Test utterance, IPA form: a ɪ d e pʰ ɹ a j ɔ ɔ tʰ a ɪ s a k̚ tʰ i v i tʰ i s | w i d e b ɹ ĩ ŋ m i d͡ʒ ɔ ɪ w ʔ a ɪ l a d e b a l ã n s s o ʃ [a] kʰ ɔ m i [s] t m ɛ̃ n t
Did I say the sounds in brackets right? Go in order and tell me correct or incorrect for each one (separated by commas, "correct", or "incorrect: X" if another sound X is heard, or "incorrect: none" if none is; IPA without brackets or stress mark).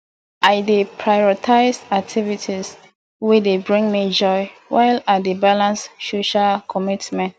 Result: correct, incorrect: none